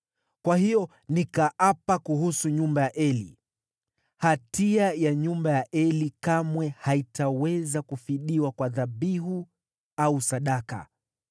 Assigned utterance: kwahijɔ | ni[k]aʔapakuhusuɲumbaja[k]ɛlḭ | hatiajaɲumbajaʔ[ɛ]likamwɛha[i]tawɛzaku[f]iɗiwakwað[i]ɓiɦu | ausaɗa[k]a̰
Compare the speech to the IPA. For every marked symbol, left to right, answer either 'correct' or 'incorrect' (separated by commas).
correct, incorrect, correct, correct, correct, incorrect, correct